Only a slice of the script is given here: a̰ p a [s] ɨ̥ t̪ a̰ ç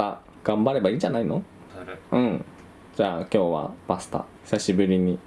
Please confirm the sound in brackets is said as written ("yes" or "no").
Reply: yes